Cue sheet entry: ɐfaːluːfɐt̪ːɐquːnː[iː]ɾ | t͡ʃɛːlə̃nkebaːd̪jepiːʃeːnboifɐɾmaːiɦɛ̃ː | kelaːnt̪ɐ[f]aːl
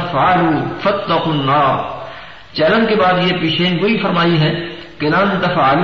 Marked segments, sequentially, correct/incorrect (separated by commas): incorrect, correct